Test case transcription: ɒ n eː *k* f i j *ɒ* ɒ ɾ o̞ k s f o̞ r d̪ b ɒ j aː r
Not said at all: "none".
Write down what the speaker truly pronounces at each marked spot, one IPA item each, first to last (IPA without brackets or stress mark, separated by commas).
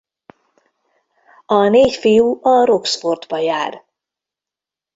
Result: c, u